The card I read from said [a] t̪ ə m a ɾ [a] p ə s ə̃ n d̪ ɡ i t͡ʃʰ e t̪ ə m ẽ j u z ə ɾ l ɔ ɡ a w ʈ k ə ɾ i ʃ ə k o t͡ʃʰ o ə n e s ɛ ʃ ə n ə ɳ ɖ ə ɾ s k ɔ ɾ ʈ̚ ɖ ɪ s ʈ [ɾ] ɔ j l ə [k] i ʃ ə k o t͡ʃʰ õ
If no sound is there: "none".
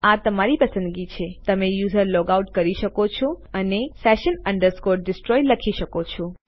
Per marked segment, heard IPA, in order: a, i, ɾ, kʰ

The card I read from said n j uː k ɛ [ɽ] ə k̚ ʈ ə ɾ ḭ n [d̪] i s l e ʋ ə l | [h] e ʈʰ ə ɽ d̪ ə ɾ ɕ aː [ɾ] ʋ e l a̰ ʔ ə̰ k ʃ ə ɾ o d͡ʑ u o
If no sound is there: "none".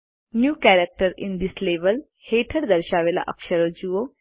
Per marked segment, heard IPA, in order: ɾ, d̪, h, none

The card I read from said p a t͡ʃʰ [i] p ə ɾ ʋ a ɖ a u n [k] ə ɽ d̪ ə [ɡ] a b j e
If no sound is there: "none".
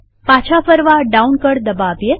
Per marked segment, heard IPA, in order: a, k, b

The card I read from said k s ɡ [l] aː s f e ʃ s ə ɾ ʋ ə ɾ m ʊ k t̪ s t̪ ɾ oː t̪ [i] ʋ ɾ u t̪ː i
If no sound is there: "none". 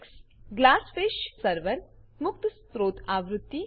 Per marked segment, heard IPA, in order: l, a

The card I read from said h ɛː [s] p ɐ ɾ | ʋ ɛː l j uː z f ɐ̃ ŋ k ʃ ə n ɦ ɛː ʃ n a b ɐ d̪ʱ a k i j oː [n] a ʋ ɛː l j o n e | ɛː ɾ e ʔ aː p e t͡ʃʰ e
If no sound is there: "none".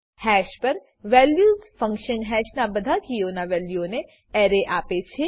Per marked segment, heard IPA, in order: ʃ, n

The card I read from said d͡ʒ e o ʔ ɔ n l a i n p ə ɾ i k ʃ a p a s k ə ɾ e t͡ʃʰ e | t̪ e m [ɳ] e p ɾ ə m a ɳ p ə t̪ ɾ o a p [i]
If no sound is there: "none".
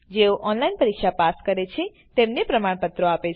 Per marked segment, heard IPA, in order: n, e

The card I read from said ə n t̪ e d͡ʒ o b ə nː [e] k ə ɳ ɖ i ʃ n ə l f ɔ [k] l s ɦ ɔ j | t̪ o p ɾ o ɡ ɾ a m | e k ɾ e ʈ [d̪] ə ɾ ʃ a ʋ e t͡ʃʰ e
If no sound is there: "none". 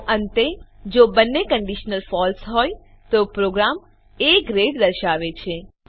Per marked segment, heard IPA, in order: e, none, d̪

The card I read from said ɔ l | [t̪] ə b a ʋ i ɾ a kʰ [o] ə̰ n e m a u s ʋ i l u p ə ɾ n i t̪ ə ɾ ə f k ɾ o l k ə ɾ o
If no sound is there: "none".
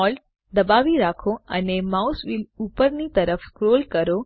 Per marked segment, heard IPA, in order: d̪, o

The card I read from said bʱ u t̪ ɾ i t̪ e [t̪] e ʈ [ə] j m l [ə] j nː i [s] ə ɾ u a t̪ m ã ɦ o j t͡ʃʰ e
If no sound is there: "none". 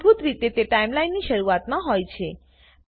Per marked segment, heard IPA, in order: t̪, a, a, ʃ

